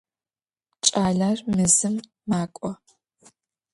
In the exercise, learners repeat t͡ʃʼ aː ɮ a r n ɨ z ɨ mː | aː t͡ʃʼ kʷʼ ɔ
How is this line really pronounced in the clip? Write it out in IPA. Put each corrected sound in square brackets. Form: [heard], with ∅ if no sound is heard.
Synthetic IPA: t͡ʃʼ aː ɮ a r [m] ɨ z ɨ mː | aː [∅] kʷʼ ɔ